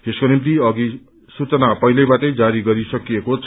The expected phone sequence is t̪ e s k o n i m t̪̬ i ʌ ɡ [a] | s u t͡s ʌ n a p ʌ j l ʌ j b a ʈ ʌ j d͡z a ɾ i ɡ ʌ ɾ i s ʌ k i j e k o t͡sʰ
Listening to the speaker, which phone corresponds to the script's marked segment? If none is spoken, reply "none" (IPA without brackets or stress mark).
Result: i